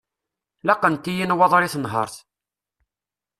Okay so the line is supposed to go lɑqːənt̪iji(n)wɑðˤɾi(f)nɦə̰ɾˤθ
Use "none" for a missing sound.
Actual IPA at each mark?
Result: n, θ

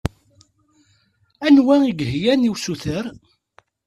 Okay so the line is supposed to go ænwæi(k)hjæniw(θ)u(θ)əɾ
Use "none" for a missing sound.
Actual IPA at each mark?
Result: ɡ, s, θ

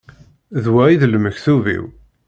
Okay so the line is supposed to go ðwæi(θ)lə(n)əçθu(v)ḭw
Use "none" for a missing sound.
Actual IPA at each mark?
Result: ð, m, v

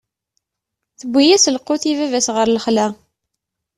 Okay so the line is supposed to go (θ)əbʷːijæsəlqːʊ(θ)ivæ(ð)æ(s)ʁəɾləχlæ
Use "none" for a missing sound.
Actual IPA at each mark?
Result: θ, θ, v, s

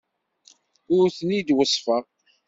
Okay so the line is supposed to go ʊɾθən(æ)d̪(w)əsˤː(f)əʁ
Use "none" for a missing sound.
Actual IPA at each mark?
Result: i, w, f

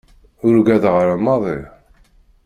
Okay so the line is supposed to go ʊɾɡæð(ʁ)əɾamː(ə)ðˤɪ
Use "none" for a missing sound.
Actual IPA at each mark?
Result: ʁ, ɑ

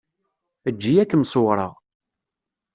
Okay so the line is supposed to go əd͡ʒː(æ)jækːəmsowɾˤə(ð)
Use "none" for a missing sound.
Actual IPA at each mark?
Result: i, ʁ

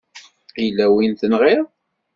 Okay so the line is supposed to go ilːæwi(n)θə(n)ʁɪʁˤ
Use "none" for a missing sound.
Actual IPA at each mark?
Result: n, n

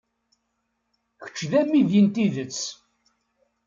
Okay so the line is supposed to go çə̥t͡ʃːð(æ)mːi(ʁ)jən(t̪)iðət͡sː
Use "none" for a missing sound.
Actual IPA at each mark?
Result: æ, ð, t̪

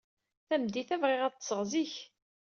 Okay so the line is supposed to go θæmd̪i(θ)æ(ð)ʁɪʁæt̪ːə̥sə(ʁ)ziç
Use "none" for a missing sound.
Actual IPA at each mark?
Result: θ, v, ʁ

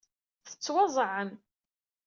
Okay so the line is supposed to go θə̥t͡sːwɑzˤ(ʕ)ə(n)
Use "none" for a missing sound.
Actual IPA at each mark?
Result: ʕ, n

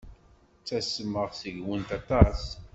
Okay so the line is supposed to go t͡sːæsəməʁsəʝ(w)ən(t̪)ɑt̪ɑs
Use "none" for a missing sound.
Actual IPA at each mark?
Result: w, t̪

